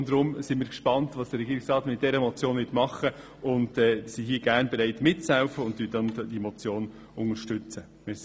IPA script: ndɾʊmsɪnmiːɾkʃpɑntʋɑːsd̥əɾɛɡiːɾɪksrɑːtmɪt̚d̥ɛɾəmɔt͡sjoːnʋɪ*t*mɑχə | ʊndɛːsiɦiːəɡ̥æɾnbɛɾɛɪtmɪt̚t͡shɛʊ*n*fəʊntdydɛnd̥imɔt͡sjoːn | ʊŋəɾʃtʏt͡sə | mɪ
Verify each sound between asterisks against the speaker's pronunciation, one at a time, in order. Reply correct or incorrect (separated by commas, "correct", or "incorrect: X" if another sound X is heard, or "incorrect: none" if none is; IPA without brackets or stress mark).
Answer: correct, incorrect: none